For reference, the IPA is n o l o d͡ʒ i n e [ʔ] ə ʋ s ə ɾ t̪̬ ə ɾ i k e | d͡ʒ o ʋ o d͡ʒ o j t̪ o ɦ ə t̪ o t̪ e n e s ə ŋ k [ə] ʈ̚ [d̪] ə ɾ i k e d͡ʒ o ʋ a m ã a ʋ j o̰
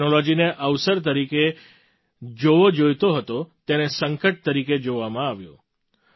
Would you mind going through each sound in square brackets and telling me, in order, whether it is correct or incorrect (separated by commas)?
correct, correct, incorrect